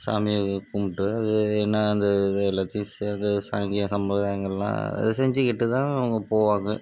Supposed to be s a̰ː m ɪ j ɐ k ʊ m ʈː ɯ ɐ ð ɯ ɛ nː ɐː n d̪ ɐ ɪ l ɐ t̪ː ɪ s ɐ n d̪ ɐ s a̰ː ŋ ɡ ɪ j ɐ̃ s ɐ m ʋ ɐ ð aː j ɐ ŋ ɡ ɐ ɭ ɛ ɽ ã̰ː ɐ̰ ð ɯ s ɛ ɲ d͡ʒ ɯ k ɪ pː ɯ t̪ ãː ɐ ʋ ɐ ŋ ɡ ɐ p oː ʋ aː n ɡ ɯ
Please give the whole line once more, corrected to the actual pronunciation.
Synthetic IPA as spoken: s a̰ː m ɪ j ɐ k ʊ m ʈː ɯ ɐ ð ɯ ɛ nː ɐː n d̪ ɐ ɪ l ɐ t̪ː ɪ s ɐ n d̪ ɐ s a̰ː ŋ ɡ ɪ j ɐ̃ s ɐ m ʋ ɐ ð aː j ɐ ŋ ɡ ɐ ɭ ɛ l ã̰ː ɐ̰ ð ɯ s ɛ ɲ d͡ʒ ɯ k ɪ ʈː ɯ t̪ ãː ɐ ʋ ɐ ŋ ɡ ɐ p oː ʋ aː ŋ ɡ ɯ